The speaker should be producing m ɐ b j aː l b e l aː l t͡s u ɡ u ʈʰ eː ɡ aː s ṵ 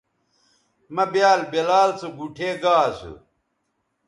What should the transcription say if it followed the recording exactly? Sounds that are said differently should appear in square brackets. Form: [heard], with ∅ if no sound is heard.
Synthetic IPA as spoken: m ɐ b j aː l b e l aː l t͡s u ɡ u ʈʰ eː ɡ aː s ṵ